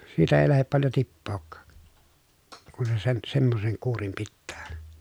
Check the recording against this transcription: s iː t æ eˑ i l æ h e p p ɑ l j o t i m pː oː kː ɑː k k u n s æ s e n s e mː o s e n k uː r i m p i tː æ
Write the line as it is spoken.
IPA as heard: s iː t æ eˑ i l æ h e p p ɑ l j o t i pː oː kː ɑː k k u n s e s e n s e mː o s e ŋ k uː r i m p i tː æː